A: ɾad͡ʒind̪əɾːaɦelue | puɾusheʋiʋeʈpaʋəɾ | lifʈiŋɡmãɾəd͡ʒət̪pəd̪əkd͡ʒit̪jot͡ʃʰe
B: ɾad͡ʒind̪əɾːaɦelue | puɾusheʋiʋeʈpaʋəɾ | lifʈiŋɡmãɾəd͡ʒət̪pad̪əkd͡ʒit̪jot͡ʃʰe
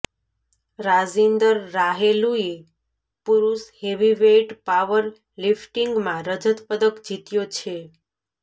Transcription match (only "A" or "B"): A